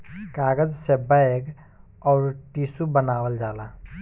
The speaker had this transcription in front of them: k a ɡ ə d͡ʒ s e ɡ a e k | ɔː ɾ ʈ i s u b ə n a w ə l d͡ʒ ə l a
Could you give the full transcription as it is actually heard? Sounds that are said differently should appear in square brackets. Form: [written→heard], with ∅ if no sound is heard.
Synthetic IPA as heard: k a ɡ ə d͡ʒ s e [ɡ→b] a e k | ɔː ɾ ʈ i s u b ə n a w ə l d͡ʒ [ə→a] l a